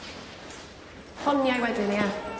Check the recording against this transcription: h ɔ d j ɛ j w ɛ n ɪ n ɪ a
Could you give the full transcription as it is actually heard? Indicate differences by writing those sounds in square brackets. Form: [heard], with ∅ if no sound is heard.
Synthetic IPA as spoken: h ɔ [n] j [a] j w ɛ [d] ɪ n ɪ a